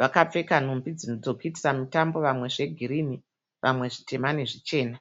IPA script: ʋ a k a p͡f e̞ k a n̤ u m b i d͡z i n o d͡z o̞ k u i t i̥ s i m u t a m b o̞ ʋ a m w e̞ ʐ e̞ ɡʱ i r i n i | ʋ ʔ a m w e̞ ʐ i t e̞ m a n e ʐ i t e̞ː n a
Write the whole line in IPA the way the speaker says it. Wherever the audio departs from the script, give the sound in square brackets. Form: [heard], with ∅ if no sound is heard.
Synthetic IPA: ʋ a k a p͡f e̞ k a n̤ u m b i d͡z i n o d͡z o̞ k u i t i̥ s [a] m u t a m b o̞ ʋ a m w e̞ ʐ e̞ ɡʱ i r i n i | ʋ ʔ a m w e̞ ʐ i t e̞ m a n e ʐ i [t͡ʃ] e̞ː n a